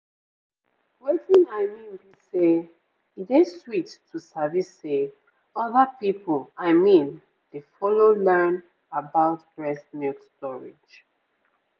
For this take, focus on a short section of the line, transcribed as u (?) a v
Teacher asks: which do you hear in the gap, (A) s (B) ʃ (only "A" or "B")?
A